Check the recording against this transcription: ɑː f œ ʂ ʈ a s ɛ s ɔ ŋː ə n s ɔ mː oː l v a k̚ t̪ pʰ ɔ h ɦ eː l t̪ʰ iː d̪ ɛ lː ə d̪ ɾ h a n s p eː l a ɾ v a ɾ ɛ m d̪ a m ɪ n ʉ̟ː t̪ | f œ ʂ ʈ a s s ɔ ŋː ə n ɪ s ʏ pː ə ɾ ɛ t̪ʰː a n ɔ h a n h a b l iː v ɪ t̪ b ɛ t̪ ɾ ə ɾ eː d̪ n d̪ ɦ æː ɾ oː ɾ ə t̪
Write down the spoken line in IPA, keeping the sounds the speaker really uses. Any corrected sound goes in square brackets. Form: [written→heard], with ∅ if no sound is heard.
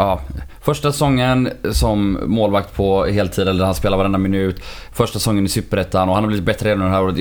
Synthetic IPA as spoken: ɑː f œ ʂ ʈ a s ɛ s ɔ ŋː ə n s ɔ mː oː l v a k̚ t̪ pʰ ɔ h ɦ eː l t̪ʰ iː d̪ ɛ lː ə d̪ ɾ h a n s p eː l a ɾ v a ɾ ɛ [m→n] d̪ a m ɪ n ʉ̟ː t̪ | f œ ʂ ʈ a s s ɔ ŋː ə n ɪ s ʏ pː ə ɾ ɛ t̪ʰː a n ɔ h a n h a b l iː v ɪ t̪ b ɛ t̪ ɾ ə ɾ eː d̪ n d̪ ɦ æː ɾ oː ɾ ə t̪